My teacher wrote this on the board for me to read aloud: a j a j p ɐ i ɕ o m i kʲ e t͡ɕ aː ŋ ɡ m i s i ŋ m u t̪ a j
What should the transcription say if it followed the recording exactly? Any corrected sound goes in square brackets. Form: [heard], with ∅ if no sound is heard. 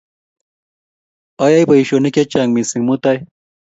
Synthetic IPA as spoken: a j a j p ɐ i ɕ o [n] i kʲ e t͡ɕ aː ŋ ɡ m i s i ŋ m u t̪ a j